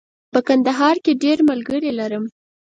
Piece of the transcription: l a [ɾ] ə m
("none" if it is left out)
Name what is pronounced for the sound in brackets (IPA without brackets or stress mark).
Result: ɾ